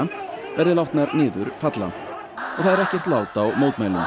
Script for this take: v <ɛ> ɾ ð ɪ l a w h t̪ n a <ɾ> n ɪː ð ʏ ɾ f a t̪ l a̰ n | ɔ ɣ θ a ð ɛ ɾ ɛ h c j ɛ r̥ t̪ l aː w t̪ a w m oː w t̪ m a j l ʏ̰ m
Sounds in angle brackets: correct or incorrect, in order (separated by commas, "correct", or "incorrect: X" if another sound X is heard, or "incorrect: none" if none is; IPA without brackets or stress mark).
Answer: correct, correct